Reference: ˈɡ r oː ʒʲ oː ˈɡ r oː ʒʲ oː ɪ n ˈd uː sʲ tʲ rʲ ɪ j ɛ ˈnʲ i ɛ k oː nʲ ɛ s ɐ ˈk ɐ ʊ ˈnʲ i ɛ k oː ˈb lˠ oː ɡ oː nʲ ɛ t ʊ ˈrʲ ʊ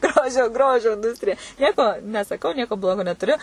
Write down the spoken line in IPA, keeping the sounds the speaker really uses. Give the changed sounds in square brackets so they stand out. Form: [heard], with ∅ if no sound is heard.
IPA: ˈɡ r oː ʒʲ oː ˈɡ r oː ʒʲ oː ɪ n ˈd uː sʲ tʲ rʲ ɪ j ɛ ˈnʲ i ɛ k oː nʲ ɛ s ɐ ˈk ɐ ʊ ˈnʲ i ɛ k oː ˈb lˠ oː ɡ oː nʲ ɛ t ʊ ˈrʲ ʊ